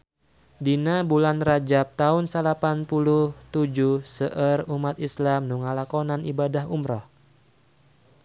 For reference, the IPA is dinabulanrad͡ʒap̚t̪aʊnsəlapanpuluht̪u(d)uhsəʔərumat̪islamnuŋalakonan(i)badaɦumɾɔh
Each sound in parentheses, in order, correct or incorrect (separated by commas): incorrect, correct